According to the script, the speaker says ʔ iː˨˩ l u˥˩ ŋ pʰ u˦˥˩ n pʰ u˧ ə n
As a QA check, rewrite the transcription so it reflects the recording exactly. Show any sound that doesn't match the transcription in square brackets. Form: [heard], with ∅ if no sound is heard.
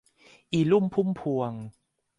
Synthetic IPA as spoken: ʔ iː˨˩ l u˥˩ [m] pʰ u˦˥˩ [m] pʰ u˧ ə [ŋ]